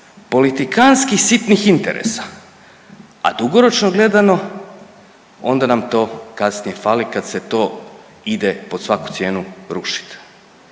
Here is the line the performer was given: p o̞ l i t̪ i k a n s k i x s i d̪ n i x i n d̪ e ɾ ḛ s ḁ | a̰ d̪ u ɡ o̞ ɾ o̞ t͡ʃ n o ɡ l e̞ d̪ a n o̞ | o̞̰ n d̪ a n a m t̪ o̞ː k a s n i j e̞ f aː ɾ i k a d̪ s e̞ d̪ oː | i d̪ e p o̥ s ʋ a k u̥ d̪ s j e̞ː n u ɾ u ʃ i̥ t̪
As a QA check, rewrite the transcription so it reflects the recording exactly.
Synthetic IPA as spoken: p o̞ l i t̪ i k a n s k i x s i t̪ n i x i n t̪ e ɾ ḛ s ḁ | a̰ d̪ u ɡ o̞ ɾ o̞ t͡ʃ n o ɡ l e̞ d̪ a n o̞ | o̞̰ n d̪ a n a m t̪ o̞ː k a s n i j e̞ f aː l i k a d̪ s e̞ t̪ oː | i d̪ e p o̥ s ʋ a k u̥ t̪ s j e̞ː n u ɾ u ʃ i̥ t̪